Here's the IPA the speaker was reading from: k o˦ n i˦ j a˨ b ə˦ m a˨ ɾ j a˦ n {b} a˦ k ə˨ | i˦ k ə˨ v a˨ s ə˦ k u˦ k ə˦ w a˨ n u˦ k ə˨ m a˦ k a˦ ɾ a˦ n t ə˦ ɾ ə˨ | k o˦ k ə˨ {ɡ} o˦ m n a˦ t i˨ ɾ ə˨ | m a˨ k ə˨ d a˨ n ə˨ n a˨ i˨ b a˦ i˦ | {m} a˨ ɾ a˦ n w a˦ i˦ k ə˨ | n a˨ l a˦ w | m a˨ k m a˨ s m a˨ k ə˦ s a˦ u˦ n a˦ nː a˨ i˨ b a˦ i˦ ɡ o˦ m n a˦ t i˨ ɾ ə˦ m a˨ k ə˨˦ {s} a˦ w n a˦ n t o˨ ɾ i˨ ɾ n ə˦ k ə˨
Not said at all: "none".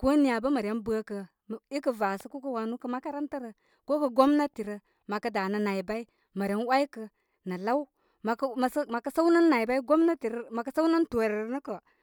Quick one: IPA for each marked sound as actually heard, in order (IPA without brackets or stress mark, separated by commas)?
b, ɡ, m, s